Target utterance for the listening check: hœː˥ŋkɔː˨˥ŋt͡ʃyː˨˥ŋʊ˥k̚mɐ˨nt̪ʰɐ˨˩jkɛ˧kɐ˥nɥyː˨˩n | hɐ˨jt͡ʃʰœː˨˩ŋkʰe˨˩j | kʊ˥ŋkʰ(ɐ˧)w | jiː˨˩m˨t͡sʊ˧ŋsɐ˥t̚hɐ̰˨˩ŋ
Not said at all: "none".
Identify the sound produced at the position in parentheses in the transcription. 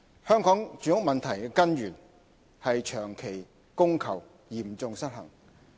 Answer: ɐ˨˩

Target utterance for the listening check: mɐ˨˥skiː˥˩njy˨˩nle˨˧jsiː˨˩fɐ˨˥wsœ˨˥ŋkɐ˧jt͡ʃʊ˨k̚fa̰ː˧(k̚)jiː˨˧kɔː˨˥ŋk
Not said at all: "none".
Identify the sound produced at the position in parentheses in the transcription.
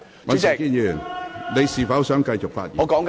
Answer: t̚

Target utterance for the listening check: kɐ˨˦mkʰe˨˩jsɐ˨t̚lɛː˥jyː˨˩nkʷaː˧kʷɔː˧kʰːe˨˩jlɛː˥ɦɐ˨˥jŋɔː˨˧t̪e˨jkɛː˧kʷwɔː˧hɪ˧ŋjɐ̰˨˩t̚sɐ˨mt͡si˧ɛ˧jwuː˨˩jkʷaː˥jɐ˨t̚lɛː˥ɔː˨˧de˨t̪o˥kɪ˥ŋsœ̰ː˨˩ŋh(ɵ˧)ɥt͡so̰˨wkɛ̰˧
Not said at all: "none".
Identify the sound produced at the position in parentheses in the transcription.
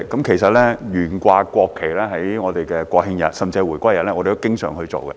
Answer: ɵ˧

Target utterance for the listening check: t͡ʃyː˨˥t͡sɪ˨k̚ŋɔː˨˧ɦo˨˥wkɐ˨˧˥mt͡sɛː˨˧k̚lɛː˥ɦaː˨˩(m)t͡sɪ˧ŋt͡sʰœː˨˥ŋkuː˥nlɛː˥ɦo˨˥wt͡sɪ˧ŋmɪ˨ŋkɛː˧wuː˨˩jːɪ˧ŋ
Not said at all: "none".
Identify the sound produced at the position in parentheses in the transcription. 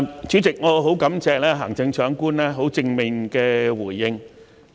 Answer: ŋ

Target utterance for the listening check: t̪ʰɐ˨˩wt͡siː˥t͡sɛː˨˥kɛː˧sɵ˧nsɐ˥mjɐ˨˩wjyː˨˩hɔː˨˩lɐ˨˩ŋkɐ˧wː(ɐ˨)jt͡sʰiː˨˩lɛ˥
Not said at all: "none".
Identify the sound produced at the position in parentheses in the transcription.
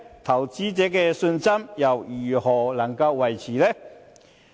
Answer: ɐ˨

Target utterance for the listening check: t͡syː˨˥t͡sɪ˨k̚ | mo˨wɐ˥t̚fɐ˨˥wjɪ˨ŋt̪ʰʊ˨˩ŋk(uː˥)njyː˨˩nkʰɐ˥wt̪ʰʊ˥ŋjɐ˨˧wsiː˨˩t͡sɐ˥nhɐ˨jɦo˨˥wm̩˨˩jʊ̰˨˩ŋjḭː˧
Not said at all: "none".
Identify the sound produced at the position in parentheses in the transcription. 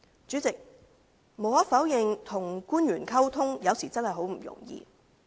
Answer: uː˥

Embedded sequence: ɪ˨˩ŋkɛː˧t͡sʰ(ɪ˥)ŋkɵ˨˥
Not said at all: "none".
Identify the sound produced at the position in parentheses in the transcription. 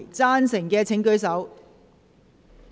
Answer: ɪ˨˥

